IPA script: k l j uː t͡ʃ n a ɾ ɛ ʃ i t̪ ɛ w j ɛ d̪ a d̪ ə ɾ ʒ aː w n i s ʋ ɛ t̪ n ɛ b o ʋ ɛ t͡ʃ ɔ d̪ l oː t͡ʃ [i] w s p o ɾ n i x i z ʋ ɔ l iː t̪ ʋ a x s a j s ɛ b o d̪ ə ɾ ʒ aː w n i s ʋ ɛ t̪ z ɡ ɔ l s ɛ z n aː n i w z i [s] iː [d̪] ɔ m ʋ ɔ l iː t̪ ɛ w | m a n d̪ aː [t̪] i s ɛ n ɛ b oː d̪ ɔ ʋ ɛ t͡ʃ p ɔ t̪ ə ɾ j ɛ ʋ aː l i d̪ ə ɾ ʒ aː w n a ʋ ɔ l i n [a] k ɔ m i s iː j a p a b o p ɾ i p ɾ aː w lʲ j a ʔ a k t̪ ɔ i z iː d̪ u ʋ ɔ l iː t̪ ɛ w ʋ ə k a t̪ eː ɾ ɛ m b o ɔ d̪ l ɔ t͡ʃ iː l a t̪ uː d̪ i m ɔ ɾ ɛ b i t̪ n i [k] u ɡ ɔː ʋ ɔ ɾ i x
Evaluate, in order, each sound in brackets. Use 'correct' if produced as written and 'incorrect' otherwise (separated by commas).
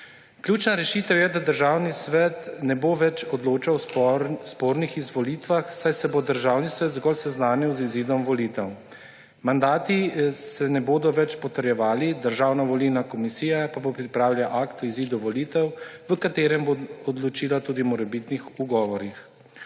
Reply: incorrect, incorrect, correct, correct, correct, incorrect